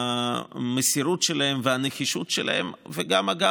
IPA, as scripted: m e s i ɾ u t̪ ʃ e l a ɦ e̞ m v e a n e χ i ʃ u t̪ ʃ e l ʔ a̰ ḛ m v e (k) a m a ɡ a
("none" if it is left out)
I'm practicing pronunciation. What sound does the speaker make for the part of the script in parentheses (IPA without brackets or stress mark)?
ɡ